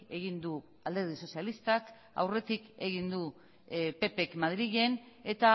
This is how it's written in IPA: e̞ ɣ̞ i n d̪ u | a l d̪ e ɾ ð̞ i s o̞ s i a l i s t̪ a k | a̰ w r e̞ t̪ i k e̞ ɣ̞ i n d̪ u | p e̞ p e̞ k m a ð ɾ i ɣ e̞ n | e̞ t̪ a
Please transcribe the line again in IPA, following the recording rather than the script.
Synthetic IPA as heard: e̞ ɣ̞ i n d̪ u | a l d̪ e ɾ ð̞ i s o̞ s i a l i s t̪ a k | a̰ w r e̞ t̪ i k e̞ ɣ̞ i n d̪ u | p e̞ p e̞ k m a ð ɾ i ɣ e̞ n | e̞ t̪ a